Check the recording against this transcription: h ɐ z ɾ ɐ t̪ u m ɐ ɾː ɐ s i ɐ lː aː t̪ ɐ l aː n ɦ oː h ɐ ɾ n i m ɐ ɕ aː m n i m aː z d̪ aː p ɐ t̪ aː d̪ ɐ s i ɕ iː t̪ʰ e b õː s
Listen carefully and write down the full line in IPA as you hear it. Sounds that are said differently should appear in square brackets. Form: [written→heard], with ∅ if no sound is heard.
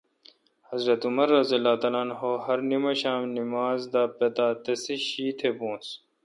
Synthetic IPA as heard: h ɐ z ɾ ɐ t̪ u m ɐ ɾː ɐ [s→z] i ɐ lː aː t̪ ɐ l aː n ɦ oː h ɐ ɾ n i m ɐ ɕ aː m n i m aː z d̪ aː p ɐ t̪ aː [d̪→t̪] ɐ s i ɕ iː t̪ʰ e b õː s